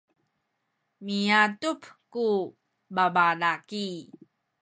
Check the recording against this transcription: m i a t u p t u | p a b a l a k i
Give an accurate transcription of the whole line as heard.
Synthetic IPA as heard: m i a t u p k u | b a b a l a k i